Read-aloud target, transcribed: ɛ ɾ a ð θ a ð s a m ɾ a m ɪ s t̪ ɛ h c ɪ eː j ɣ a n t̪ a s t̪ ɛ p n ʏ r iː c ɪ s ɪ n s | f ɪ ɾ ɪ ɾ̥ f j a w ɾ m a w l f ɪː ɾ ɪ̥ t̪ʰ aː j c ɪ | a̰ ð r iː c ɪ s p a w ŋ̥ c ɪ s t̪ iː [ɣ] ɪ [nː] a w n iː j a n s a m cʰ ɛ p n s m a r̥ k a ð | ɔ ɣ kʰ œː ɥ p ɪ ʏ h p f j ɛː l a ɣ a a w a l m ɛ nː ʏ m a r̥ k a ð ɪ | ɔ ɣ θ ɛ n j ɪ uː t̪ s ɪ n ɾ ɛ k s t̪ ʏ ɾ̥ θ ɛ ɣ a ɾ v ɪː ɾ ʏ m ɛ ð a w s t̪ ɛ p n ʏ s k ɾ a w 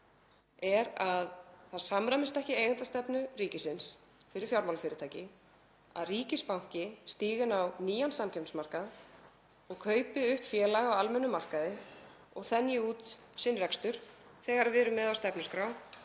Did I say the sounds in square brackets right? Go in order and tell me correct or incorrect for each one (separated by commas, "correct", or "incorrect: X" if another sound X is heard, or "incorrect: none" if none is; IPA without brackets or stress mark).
correct, incorrect: n